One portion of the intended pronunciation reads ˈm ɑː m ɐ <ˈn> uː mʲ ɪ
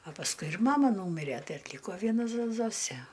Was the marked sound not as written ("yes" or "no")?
no